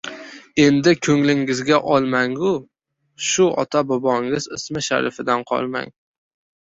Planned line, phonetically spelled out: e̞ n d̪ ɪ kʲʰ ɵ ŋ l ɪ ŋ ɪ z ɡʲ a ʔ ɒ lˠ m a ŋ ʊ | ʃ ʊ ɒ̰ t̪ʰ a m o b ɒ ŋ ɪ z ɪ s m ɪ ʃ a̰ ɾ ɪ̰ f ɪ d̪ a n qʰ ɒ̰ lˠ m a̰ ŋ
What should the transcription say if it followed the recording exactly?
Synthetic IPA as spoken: e̞ n d̪ ɪ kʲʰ ɵ ŋ l ɪ ŋ ɪ z ɡʲ a ʔ ɒ lˠ m a ŋ ʊ | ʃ ʊ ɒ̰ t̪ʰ a b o b ɒ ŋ ɪ z ɪ s m ɪ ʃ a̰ ɾ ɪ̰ f ɪ d̪ a n qʰ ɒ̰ lˠ m a̰ ŋ